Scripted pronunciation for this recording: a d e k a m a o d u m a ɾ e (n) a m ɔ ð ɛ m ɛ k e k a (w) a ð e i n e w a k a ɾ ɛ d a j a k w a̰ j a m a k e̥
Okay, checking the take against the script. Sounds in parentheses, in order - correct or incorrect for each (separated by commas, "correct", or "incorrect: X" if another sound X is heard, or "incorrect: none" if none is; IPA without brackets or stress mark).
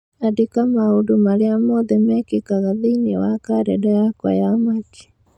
incorrect: none, incorrect: ɣ